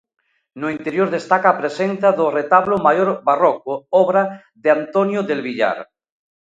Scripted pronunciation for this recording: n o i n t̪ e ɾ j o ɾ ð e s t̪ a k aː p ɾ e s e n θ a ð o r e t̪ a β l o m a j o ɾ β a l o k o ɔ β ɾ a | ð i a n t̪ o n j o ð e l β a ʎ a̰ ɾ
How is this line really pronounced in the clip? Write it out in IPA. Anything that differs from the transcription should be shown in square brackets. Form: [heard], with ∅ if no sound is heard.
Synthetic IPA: n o i n t̪ e ɾ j o ɾ ð e s t̪ a k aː p ɾ e s e n θ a ð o r e t̪ a β l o m a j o ɾ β a [r] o k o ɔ β ɾ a | ð [e] a n t̪ o n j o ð e l β [i] ʎ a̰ ɾ